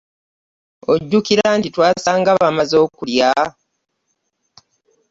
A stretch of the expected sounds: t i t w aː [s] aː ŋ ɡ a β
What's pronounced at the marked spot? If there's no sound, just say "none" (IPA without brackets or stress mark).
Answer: s